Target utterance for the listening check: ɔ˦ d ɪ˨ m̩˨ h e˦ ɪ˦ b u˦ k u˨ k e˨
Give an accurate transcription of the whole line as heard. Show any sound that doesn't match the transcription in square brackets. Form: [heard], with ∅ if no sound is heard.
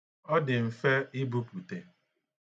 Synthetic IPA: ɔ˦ d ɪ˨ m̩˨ [f] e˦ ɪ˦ b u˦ [p] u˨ [t] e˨